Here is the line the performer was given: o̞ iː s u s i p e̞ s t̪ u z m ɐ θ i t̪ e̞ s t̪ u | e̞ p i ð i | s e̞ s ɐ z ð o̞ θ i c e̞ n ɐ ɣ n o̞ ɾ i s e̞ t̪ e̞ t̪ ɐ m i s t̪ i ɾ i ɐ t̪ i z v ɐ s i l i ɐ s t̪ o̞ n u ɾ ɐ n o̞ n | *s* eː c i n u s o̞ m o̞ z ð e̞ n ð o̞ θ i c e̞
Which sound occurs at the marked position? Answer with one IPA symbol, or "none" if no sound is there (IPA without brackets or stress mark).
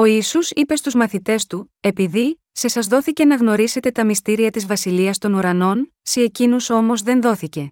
s